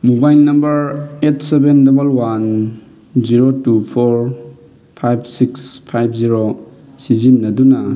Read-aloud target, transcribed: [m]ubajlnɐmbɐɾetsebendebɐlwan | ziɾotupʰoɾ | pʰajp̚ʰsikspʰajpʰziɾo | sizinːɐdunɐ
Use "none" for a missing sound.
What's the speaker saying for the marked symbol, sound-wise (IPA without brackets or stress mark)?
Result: m